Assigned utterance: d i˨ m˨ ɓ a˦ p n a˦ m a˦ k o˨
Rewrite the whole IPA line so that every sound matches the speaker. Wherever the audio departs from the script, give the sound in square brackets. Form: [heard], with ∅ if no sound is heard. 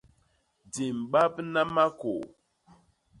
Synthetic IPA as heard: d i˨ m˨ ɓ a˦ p n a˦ m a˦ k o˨